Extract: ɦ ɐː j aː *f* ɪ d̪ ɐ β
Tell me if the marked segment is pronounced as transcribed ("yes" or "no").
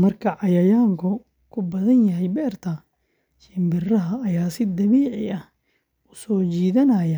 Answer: no